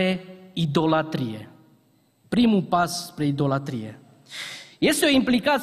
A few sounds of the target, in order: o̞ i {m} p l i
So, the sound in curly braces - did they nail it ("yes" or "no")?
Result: yes